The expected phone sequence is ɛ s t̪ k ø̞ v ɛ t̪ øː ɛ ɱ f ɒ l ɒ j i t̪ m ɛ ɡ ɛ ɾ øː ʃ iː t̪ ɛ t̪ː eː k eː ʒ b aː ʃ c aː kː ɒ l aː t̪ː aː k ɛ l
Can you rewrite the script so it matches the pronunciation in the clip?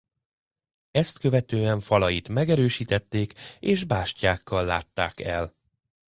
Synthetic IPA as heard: ɛ s t̪ k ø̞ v ɛ t̪ øː ɛ ɱ f ɒ l ɒ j i t̪ m ɛ ɡ ɛ ɾ øː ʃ iː t̪ ɛ t̪ː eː k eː ʒ b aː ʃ c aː kː ɒ lː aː t̪ː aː k ɛ l